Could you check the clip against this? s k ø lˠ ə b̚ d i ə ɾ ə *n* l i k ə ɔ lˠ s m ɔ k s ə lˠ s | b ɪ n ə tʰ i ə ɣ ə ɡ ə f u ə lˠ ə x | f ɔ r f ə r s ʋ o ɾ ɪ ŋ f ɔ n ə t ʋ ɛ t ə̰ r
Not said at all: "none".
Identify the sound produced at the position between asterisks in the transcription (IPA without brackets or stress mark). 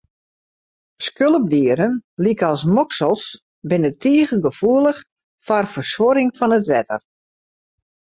n